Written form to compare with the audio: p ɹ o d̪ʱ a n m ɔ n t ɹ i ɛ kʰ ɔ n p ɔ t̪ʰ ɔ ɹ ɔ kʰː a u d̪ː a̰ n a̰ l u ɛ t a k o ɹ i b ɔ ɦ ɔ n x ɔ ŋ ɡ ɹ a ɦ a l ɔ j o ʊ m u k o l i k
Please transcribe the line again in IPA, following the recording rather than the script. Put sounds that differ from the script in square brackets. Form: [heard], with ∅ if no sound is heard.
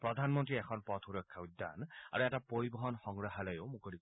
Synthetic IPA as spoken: p ɹ [ɔ] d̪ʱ a n m ɔ n t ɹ i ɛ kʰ ɔ n p ɔ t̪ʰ [u] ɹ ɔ kʰː a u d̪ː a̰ n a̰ [ɹ] u ɛ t a [p] o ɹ i b ɔ ɦ ɔ n x ɔ ŋ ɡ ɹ a ɦ a l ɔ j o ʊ m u k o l i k

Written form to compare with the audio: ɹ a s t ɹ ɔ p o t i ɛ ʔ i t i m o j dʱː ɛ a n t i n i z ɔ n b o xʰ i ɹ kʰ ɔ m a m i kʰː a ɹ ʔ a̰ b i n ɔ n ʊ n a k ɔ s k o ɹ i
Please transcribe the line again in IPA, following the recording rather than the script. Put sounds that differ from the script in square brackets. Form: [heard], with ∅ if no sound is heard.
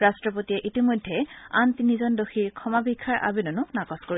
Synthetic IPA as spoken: ɹ a s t ɹ ɔ p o t i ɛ ʔ i t i m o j dʱː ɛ a n t i n i z ɔ n [d] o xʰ i ɹ kʰ ɔ m a [b] i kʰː a ɹ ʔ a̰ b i n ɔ n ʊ n a k ɔ s k o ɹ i

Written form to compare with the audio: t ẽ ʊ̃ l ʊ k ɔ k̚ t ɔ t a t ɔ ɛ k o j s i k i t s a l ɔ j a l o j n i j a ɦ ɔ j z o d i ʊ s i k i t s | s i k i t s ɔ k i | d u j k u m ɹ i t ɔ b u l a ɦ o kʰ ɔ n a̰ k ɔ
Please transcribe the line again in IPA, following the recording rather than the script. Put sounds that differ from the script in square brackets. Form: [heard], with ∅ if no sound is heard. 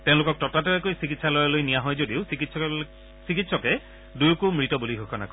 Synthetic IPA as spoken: t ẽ ʊ̃ l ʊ k ɔ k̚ t ɔ t a t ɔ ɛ k o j s i k i t s a l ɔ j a l o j n i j a ɦ ɔ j z o d i ʊ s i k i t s | s i k i t s ɔ k [ɛ] | d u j k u m ɹ i t ɔ b u l [i] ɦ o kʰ ɔ n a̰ k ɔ

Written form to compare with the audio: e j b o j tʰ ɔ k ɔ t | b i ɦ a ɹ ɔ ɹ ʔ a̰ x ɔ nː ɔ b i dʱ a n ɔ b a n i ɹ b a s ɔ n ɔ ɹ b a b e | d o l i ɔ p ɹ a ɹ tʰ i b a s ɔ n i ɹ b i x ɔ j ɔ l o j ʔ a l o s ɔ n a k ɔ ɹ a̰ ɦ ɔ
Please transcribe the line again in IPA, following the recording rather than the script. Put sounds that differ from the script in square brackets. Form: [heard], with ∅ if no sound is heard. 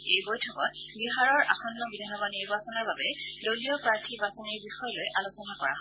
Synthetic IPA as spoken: e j b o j tʰ ɔ k ɔ t | b i ɦ a ɹ ɔ ɹ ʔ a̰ x ɔ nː ɔ b i dʱ a n ɔ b a n i ɹ b a s ɔ n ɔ ɹ b a b [ɛ] | d o l i ɔ p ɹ a ɹ tʰ i b a s ɔ n i ɹ b i x ɔ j ɔ l o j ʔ a l o s ɔ n a k ɔ ɹ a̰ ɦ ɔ

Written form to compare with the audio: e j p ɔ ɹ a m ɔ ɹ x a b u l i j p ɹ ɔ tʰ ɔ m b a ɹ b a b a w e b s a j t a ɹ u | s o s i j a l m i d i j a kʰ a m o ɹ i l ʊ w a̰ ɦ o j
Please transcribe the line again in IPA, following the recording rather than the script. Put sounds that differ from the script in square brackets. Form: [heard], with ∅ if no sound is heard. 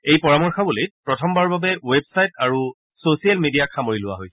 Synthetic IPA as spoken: e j p ɔ ɹ a m ɔ ɹ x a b u l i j p ɹ ɔ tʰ ɔ m b a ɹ b a b [ɛ] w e b s a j t a ɹ u | s o s i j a l m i d i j a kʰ a m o ɹ i l ʊ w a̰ ɦ o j

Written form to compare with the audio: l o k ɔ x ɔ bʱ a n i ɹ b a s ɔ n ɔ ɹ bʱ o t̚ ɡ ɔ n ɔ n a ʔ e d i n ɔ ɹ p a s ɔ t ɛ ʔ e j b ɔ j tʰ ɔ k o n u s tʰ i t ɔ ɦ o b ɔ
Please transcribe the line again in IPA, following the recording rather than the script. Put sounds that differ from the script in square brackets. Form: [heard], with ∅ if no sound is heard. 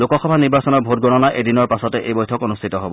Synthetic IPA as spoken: l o k ɔ x ɔ bʱ a n i ɹ b a s ɔ n ɔ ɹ bʱ o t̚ ɡ ɔ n ɔ n a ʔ e d i n ɔ ɹ p a s ɔ t ɛ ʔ e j b ɔ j tʰ ɔ k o n u s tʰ i t ɔ ɦ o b ɔ

